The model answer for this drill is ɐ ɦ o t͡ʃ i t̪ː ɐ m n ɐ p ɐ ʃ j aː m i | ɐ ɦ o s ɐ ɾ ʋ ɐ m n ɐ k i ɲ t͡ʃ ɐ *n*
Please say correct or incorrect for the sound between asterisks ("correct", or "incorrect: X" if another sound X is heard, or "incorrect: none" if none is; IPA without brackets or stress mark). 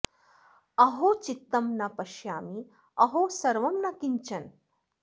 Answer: correct